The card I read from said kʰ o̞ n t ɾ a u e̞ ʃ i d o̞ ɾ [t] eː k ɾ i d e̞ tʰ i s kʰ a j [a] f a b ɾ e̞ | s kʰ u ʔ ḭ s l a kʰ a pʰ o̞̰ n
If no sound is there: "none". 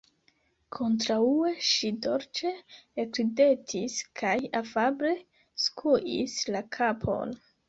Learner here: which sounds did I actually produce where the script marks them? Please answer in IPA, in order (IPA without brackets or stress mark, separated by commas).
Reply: t͡ʃ, a